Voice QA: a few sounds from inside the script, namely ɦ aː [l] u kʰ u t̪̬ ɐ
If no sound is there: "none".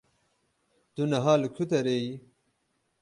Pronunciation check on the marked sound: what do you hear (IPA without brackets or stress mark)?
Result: l